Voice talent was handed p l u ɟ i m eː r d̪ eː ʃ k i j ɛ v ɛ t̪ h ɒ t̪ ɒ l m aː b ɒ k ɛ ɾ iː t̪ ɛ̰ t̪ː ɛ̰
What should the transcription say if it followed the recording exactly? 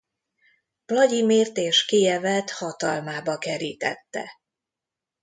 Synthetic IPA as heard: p l ɒ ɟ i m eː r t̪ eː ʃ k i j ɛ v ɛ t̪ h ɒ t̪ ɒ l m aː b ɒ k ɛ ɾ iː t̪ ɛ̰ t̪ː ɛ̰